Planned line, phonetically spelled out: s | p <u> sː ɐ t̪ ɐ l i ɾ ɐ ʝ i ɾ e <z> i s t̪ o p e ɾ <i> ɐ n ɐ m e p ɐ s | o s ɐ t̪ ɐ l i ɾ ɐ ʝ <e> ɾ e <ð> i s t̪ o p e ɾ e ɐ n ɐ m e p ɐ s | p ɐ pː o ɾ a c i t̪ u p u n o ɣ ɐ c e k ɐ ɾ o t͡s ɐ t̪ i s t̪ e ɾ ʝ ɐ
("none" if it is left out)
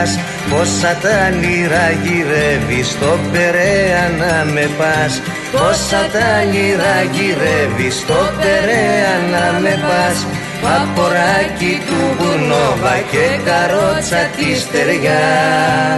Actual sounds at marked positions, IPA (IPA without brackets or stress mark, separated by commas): o, v, e, i, v